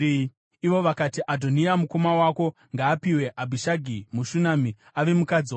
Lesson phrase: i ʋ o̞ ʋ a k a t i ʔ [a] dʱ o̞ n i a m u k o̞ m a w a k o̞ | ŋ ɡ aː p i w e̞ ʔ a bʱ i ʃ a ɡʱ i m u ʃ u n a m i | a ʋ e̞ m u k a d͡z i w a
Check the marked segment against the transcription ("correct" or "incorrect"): correct